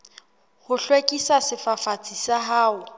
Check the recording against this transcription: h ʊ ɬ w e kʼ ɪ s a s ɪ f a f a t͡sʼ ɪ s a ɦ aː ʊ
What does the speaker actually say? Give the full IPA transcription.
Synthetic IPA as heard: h ʊ ɬ w e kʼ i s a s ɪ f a f a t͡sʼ i s a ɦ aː ʊ

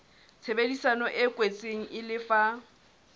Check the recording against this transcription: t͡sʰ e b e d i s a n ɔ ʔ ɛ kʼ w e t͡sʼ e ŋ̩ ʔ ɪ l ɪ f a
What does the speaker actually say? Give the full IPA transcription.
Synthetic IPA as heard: t͡sʰ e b e d i s a n ɔ ʔ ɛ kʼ w e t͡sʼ e ŋ̩ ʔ ɪ l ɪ f a

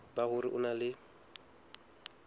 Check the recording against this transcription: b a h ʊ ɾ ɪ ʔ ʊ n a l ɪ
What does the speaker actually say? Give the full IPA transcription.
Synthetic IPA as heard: b a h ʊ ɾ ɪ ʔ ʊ n a l ɪ

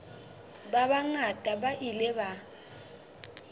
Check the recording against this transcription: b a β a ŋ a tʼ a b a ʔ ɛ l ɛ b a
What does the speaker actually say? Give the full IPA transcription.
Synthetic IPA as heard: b a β a ŋ a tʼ a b a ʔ i l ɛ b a

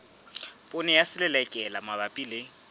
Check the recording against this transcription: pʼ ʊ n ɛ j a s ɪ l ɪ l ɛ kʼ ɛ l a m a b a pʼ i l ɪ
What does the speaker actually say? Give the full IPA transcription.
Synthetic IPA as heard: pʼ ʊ n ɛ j a s ɪ l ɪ l ɛ kʼ ɛ l a m a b a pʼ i l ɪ

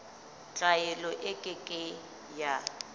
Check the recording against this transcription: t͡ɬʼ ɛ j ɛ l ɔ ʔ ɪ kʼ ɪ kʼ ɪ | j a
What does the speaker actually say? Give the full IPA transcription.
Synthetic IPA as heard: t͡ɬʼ a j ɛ l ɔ ʔ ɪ kʼ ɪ kʼ ɪ | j a

